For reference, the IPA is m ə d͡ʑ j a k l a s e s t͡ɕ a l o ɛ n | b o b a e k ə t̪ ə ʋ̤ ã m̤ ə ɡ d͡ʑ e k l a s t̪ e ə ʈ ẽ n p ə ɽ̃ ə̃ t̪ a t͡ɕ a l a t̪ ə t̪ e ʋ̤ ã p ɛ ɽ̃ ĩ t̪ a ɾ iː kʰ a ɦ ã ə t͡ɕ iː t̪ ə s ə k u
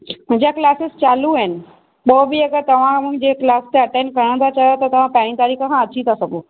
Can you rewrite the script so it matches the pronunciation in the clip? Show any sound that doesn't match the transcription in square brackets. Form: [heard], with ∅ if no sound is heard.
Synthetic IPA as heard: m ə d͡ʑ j a k l a s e s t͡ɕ a l [u] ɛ n | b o b [i] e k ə t̪ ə ʋ̤ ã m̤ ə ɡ d͡ʑ e k l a s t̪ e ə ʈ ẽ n [k] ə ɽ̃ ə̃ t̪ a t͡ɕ a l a t̪ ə t̪ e ʋ̤ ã p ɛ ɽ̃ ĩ t̪ a ɾ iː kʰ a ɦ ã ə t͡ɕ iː t̪ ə s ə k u